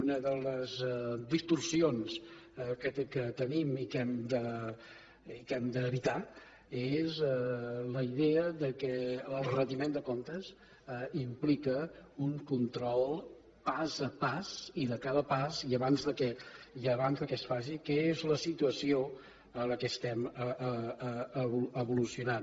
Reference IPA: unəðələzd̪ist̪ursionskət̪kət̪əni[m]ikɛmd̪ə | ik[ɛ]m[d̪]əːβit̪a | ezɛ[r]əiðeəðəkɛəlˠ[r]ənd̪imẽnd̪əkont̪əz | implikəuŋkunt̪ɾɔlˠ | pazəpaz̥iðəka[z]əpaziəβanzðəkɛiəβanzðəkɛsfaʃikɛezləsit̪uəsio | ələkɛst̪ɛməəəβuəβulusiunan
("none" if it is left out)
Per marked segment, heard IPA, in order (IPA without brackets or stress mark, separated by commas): m, ɛ, d̪, l, r, ð